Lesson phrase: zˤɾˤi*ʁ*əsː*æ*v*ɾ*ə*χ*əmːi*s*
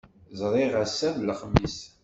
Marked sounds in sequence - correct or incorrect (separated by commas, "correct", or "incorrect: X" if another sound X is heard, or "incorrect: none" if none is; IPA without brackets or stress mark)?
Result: correct, correct, incorrect: l, correct, correct